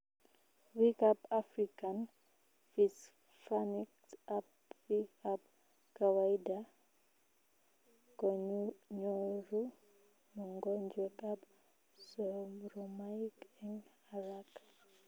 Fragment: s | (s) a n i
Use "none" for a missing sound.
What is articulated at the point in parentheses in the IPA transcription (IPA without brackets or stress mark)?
f